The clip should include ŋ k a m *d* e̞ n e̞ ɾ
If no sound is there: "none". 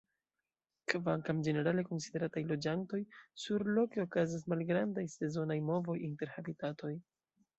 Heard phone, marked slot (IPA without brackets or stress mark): d͡ʒ